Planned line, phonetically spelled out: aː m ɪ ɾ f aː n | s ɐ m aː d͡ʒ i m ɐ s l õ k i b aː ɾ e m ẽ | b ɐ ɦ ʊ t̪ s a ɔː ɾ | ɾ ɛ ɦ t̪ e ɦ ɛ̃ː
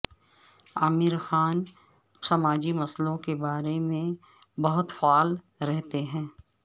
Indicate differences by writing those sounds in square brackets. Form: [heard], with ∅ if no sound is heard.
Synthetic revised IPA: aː m ɪ ɾ [x] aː n | s ɐ m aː d͡ʒ i m ɐ s l õ k [e] b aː ɾ e m ẽ | b ɐ ɦ ʊ t̪ [f] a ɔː [l] | ɾ ɛ ɦ t̪ e ɦ ɛ̃ː